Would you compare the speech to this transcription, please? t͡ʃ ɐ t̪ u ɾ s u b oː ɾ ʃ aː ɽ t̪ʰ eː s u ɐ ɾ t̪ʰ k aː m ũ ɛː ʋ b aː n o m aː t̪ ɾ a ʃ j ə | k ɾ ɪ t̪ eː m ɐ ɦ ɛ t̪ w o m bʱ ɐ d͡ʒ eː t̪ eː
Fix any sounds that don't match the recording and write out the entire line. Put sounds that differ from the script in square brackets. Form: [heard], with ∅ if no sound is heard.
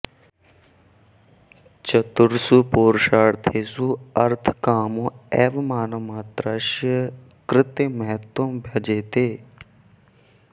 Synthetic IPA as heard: t͡ʃ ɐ t̪ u ɾ s u [p] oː ɾ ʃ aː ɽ t̪ʰ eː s u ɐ ɾ t̪ʰ k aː m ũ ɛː ʋ [m] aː n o m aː t̪ ɾ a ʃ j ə | k ɾ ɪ t̪ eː m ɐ ɦ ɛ t̪ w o m bʱ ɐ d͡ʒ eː t̪ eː